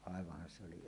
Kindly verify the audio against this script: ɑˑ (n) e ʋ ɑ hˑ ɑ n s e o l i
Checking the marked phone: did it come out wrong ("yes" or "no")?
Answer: yes